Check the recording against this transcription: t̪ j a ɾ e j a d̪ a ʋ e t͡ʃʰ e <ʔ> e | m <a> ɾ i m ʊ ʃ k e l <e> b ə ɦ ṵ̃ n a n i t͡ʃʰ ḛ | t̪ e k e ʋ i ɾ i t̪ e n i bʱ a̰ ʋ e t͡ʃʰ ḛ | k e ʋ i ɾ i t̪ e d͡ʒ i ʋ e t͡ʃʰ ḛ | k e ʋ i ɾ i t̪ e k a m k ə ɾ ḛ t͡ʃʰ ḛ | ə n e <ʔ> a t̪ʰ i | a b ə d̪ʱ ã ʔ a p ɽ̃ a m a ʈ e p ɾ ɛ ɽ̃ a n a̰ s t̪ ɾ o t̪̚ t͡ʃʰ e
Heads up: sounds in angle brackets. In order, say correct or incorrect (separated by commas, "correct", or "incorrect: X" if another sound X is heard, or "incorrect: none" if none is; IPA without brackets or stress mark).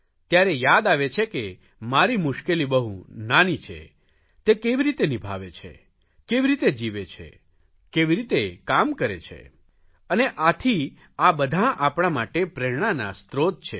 incorrect: k, correct, incorrect: i, correct